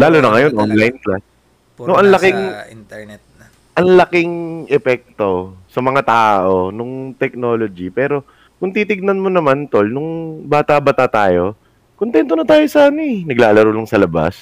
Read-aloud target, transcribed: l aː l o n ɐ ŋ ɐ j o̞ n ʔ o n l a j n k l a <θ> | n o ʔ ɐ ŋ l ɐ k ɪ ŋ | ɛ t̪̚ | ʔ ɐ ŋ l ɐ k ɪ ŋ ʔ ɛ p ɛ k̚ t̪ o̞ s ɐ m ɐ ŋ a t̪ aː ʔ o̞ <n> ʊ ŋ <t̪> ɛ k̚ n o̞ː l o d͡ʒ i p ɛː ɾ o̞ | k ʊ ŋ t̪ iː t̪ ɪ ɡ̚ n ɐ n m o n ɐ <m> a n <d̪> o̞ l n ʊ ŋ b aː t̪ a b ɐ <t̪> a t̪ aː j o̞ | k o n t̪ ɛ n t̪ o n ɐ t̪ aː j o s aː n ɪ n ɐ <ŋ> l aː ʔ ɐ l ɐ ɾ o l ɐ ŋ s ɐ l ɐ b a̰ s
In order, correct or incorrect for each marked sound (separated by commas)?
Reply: incorrect, correct, correct, correct, incorrect, correct, incorrect